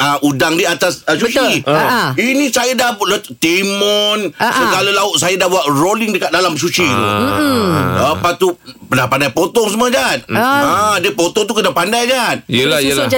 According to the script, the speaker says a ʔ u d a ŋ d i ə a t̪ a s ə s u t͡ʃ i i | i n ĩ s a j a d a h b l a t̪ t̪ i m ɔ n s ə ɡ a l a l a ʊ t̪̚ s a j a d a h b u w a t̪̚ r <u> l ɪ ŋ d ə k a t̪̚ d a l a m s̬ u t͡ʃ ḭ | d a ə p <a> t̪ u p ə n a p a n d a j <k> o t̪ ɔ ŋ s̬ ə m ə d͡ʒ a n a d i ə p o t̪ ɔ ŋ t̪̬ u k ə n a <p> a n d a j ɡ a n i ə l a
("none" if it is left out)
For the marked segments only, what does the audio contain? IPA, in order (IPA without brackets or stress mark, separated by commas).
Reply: o, a, p, p